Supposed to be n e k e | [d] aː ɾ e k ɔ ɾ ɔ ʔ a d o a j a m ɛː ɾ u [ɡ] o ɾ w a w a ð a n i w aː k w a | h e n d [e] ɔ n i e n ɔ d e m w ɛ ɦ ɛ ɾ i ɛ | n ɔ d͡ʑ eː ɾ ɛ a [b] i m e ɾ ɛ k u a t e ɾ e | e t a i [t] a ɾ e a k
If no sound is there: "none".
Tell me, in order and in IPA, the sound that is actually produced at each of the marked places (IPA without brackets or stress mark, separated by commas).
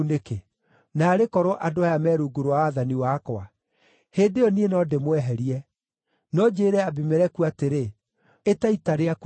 n, ɡ, e, b, t